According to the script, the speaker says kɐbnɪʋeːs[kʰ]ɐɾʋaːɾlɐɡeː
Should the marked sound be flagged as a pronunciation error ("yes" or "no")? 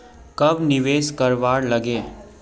yes